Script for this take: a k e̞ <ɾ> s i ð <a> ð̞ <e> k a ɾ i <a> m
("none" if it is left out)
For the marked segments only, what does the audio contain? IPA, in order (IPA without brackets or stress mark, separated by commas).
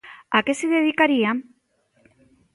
none, e, i, a